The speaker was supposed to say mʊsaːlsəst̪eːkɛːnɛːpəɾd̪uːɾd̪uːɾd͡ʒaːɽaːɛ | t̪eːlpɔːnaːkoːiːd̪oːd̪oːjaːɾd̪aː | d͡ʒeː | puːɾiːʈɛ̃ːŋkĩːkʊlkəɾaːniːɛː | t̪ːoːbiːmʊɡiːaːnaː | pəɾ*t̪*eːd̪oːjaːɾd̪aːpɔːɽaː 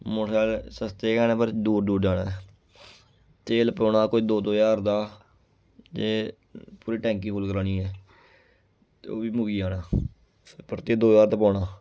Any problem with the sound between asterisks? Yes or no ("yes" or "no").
no